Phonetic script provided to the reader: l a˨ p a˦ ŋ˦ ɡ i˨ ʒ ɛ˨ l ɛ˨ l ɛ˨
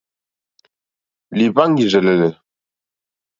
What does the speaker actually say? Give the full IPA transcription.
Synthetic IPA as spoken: l i˨ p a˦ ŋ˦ ɡ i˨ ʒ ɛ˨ l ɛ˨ l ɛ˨